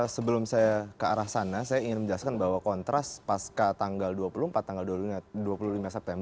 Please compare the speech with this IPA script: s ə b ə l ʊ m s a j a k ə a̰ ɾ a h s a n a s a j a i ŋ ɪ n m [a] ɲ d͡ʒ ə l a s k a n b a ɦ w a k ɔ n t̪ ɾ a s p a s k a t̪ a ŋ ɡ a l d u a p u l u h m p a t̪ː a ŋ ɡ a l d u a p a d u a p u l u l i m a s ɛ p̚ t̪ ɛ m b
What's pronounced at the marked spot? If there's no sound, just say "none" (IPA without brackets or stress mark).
ə